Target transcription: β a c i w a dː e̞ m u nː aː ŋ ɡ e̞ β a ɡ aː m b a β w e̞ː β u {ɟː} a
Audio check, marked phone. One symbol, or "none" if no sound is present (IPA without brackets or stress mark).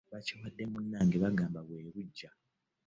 ɟː